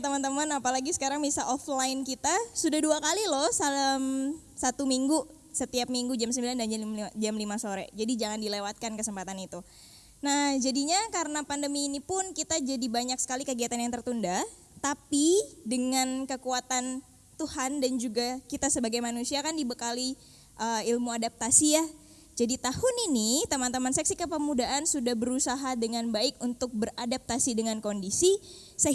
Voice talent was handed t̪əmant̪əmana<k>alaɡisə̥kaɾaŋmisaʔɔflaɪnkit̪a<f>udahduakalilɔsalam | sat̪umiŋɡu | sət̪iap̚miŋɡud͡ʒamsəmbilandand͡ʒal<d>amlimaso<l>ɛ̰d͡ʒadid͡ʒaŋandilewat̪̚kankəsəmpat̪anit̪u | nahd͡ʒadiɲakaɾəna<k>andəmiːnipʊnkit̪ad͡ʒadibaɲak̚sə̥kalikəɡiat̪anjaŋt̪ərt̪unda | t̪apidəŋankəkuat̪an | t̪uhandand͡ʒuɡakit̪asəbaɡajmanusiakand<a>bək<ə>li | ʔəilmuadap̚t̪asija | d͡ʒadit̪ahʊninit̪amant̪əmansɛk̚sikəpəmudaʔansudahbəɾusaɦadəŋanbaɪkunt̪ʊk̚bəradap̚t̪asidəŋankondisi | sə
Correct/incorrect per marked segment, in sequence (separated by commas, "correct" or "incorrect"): incorrect, incorrect, incorrect, incorrect, incorrect, incorrect, incorrect